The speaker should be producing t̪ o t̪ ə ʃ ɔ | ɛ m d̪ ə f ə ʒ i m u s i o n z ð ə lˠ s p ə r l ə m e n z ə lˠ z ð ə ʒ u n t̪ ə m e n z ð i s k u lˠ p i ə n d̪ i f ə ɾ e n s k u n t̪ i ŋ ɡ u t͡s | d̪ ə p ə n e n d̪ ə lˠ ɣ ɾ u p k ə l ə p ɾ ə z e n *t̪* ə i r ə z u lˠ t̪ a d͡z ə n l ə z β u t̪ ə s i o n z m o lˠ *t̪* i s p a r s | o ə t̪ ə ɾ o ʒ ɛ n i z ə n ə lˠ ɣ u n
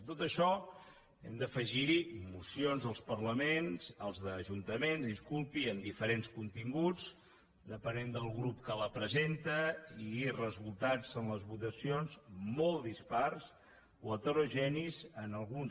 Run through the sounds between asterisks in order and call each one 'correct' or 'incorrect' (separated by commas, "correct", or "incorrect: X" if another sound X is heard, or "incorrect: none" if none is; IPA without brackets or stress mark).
correct, incorrect: d̪